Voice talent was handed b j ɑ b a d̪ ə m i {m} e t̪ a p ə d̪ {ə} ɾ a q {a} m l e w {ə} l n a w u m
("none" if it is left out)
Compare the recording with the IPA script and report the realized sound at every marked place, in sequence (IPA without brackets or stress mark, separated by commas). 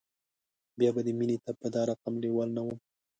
n, ɑ, a, ɑ